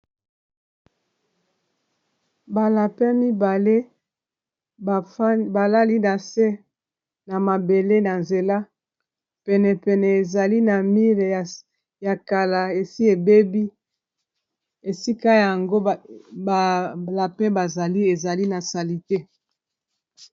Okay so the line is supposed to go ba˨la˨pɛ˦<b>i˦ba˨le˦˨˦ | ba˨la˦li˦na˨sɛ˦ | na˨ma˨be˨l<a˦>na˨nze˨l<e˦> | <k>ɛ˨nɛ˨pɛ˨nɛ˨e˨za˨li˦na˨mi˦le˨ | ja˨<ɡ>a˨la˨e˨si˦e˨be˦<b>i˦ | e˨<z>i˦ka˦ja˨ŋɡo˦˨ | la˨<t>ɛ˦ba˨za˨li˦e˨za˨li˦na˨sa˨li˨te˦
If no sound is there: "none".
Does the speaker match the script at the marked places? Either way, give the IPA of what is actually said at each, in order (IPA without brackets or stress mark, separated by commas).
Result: m, e˦, a˦, p, k, b, s, p